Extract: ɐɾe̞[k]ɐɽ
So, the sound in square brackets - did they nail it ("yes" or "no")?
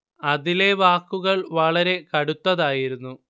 yes